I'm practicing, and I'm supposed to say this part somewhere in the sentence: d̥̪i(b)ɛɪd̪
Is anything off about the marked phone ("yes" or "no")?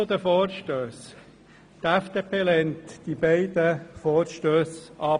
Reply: no